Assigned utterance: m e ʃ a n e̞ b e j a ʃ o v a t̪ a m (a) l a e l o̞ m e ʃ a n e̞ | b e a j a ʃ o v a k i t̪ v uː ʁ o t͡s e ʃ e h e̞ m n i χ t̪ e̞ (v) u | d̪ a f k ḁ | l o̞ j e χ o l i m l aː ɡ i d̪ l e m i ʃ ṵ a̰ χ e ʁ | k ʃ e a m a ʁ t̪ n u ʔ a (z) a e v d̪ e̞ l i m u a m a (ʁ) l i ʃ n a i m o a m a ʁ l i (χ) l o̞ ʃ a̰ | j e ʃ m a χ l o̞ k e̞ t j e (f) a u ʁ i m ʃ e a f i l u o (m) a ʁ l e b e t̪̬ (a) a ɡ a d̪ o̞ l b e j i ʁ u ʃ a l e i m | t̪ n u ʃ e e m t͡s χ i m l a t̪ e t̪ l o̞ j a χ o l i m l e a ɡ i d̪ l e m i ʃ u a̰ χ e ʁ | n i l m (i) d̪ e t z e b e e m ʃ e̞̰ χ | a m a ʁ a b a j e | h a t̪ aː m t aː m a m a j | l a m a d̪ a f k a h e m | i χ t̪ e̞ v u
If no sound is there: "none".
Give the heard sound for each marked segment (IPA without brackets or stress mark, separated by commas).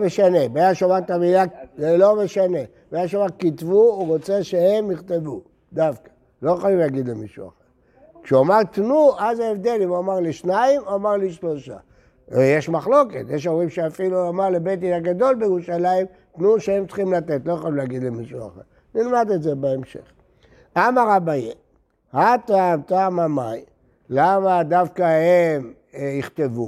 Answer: i, v, z, ʁ, ʃ, ʃ, m, i, a